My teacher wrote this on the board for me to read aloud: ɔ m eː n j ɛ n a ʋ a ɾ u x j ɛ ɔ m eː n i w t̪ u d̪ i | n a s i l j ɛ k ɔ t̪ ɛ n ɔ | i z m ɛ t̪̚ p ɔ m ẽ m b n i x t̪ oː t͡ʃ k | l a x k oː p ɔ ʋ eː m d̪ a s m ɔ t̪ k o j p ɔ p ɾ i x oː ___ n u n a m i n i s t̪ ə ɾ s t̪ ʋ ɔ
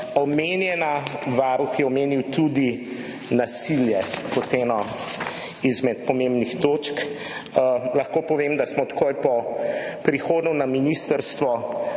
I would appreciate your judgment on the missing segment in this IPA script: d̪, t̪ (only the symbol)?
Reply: d̪